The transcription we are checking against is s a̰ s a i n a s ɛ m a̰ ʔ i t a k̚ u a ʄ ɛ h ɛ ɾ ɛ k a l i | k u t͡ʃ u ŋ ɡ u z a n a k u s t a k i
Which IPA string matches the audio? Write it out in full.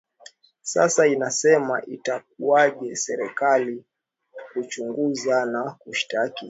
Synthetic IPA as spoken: s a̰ s a i n a s ɛ m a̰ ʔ i t a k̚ u a ʄ ɛ s ɛ ɾ ɛ k a l i | k u t͡ʃ u ŋ ɡ u z a n a k u ʃ t a k i